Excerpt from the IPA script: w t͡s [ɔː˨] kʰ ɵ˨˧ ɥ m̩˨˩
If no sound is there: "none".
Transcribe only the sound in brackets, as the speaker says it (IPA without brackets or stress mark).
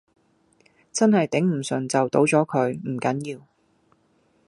ɔː˨˥